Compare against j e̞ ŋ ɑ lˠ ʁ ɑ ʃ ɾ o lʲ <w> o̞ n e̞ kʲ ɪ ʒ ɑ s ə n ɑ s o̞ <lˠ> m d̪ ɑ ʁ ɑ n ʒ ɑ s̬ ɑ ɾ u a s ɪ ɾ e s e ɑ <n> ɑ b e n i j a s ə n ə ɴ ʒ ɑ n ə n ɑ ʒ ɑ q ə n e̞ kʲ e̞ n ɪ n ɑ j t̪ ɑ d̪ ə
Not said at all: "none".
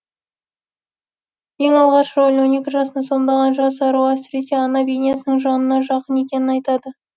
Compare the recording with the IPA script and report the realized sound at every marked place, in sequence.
w, none, n

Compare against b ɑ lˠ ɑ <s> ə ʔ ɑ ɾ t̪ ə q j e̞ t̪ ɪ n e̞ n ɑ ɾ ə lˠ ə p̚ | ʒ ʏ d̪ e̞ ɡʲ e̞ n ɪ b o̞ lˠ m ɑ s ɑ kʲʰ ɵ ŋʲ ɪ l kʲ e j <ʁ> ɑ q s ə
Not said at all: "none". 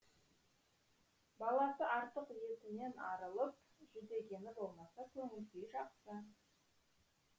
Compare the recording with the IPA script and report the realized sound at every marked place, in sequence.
s, ʒ

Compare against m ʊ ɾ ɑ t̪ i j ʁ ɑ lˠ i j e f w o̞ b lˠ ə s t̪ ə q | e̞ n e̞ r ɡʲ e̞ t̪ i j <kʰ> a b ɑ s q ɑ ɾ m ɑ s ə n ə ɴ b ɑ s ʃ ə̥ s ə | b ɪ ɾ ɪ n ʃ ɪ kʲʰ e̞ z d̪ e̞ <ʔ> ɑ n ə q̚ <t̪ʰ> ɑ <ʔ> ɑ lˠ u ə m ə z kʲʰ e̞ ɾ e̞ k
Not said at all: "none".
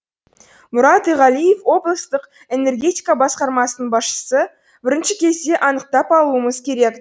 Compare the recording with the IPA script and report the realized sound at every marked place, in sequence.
k, ʔ, t̪, p

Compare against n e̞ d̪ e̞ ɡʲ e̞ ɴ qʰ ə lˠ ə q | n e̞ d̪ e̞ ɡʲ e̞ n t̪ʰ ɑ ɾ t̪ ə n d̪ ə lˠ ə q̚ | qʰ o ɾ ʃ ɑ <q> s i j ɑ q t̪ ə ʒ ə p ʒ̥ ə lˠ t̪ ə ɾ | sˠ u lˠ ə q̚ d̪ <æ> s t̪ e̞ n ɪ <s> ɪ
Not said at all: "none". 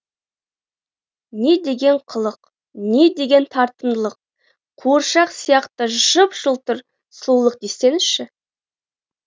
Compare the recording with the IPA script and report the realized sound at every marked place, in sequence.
q, e, ʃ

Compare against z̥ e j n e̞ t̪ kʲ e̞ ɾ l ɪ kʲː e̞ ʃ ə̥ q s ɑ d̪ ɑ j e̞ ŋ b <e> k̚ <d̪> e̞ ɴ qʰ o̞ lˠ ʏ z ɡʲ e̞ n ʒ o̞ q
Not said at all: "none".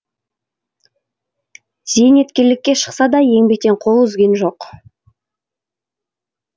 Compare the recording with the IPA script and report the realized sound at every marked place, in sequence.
e, t̪

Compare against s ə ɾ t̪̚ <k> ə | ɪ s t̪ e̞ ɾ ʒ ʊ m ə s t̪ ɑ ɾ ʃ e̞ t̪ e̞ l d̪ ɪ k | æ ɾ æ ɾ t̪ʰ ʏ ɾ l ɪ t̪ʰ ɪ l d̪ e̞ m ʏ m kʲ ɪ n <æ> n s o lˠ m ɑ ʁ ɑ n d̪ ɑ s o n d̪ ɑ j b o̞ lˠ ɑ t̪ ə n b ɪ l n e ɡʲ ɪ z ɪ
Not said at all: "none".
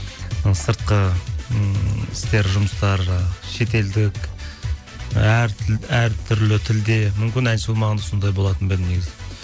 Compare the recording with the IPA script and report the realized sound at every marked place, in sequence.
q, æ

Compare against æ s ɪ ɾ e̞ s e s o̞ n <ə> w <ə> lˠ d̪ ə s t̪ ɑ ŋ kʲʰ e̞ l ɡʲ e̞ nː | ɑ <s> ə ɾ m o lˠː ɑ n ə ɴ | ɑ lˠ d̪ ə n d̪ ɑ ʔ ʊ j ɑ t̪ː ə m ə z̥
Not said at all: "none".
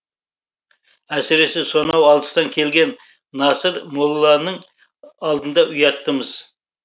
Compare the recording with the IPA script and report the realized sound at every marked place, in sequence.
ɑ, ɑ, s

